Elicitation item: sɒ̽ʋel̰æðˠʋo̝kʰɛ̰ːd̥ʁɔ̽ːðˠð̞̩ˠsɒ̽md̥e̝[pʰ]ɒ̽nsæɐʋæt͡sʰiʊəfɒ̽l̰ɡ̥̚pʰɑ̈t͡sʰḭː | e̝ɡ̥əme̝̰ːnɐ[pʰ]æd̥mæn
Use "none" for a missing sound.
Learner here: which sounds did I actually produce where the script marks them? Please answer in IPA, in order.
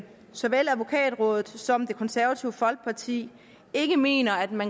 kʰ, none

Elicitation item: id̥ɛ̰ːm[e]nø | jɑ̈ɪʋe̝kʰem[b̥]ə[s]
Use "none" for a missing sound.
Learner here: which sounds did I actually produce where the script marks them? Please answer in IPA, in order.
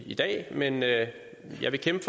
e, b̥, f

